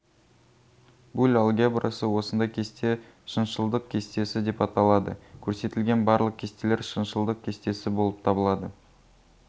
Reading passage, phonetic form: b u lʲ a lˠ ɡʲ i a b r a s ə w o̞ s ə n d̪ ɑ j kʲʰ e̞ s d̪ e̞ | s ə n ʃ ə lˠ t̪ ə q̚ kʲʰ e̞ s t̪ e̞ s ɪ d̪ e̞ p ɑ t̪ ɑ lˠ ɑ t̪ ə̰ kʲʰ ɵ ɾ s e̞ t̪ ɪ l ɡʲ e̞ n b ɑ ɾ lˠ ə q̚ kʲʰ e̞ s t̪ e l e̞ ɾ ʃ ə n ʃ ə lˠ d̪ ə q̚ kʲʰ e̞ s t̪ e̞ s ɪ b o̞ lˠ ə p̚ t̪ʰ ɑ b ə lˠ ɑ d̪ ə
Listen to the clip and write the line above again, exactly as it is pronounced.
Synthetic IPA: b u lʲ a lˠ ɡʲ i a b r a s ə w o̞ s ə n d̪ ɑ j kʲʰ e̞ s t̪ e̞ | ʃ ə n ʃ ə lˠ d̪ ə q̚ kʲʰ e̞ s t̪ e̞ s ɪ d̪ e̞ p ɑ t̪ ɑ lˠ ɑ d̪ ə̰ kʲʰ ɵ ɾ s e̞ t̪ ɪ l ɡʲ e̞ n b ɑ ɾ lˠ ə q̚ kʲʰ e̞ s t̪ e l e̞ ɾ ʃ ə n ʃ ə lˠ d̪ ə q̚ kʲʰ e̞ s t̪ e̞ s ɪ b o̞ lˠ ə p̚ t̪ʰ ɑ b ə lˠ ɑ d̪ ə